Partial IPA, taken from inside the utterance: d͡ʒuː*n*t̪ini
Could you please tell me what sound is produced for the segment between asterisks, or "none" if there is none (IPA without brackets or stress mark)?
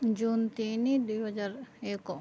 n